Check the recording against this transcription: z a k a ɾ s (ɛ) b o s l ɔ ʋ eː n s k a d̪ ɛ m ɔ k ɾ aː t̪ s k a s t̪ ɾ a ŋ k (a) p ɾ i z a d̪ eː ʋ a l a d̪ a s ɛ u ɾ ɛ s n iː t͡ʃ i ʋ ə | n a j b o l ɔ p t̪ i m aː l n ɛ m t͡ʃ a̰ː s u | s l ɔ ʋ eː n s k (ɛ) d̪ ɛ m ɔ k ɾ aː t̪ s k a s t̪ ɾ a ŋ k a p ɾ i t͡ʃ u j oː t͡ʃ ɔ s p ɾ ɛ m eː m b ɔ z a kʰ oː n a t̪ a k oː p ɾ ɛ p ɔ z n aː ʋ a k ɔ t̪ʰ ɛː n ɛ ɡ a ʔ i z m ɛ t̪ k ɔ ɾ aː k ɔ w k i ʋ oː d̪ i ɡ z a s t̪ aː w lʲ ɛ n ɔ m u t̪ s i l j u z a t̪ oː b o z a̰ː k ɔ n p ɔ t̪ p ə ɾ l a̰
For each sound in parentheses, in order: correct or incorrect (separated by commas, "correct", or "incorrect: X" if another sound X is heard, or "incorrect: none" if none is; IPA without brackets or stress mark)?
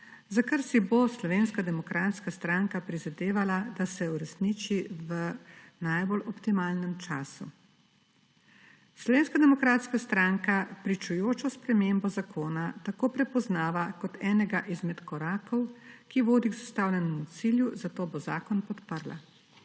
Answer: incorrect: i, correct, incorrect: a